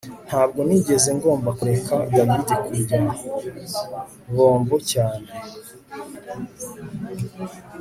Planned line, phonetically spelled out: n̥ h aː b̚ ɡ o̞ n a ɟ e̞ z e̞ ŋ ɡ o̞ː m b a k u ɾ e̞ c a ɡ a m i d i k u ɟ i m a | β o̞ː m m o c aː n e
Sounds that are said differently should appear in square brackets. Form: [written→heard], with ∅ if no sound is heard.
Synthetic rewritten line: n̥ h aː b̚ ɡ o̞ n [a→i] ɟ e̞ z e̞ ŋ ɡ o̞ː m b a k u ɾ e̞ [c→k] a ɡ a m i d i k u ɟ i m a | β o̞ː m [m→b] o c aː n e